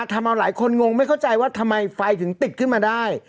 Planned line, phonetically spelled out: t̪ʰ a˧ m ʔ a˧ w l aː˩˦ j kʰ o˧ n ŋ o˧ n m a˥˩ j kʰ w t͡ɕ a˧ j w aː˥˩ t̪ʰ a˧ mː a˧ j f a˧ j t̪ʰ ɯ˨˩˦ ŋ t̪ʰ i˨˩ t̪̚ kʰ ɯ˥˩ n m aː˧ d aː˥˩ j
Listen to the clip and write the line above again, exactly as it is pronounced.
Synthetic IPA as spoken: t̪ʰ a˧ m ʔ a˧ w l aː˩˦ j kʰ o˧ n ŋ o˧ ŋ m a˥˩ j kʰ w t͡ɕ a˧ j w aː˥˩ t̪ʰ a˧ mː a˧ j f a˧ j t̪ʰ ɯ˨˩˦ ŋ t̪ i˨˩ t̪̚ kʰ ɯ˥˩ n m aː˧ d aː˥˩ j